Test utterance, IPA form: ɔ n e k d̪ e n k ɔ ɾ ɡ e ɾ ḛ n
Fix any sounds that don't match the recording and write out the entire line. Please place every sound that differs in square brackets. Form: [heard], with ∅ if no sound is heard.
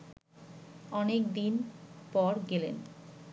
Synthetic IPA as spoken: ɔ n e k d̪ [i] n [p] ɔ ɾ ɡ e [l] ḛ n

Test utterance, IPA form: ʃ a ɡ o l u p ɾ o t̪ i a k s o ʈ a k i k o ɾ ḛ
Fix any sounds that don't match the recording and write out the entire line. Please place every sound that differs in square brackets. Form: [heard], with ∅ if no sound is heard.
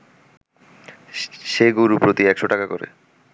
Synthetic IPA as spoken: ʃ [e] ɡ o [ɾ] u p ɾ o t̪ i [ɛ] k [ʃ] o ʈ a k [a] k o ɾ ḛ

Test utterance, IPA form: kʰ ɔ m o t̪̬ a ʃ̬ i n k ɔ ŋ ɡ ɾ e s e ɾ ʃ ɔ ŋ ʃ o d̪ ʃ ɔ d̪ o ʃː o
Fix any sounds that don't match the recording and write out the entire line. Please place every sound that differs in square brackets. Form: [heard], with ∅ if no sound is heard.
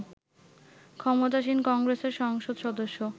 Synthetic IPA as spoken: kʰ ɔ m o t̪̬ a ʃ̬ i n k ɔ ŋ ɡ ɾ e s e ɾ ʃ ɔ ŋ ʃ o d̪ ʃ ɔ d̪ o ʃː o

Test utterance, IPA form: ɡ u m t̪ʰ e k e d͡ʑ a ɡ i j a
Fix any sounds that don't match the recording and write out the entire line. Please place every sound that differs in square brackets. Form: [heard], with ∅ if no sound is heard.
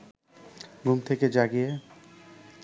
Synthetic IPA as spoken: ɡ u m t̪ʰ e k e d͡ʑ a ɡ i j [e]

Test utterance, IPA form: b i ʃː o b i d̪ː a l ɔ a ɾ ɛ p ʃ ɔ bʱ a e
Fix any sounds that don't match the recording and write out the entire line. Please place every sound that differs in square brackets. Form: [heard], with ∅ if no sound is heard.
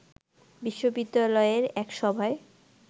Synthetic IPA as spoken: b i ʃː o b i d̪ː a l ɔ [e] ɾ ɛ [k] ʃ ɔ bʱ a e

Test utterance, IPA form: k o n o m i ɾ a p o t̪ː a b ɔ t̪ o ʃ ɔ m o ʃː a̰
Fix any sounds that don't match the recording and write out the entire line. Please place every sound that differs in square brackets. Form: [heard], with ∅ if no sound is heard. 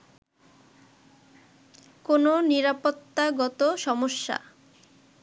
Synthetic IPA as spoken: k o n o [n] i ɾ a p o t̪ː a [ɡ] ɔ t̪ o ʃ ɔ m o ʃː a̰

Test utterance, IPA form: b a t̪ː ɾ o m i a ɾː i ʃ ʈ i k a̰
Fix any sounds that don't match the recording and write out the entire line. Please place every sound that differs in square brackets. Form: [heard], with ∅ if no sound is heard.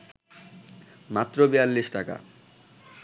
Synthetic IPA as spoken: [m] a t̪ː ɾ o [b] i a [lː] i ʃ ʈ [a] k a̰

